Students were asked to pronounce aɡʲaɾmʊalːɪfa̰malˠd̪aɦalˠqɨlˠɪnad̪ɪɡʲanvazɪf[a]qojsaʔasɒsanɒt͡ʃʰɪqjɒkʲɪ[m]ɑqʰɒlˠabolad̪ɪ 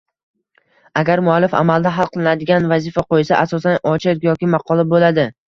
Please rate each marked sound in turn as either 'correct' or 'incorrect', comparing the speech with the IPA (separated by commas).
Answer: correct, correct